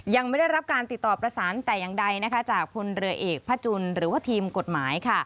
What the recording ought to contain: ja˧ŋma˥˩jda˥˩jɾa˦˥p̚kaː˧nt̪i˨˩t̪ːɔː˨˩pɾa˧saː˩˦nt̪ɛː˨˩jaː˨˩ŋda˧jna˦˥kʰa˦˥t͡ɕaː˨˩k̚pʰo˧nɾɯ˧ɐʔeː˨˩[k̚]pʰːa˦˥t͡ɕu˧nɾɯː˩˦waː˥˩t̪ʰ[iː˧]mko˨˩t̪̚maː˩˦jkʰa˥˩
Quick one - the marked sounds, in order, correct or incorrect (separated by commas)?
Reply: correct, correct